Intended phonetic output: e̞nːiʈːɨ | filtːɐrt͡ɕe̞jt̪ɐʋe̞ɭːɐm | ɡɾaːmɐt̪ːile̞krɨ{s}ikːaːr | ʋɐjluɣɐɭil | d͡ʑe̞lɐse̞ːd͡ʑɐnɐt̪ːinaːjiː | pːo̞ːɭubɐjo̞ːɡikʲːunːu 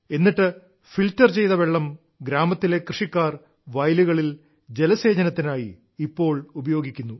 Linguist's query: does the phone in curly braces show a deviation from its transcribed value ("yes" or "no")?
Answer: yes